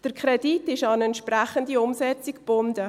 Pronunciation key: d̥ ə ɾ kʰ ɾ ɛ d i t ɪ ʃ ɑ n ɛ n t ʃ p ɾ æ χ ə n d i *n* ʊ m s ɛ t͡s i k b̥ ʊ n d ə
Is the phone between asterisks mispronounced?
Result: yes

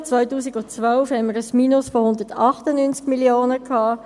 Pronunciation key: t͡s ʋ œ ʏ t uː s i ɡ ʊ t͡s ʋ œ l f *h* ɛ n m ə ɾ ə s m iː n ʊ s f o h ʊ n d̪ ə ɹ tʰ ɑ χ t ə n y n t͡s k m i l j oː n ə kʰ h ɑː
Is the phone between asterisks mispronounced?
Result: no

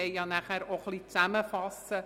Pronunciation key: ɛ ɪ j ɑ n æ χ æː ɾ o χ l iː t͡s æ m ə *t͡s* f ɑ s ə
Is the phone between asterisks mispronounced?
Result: yes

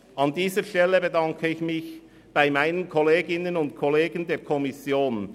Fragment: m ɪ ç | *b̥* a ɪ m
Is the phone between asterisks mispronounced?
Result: no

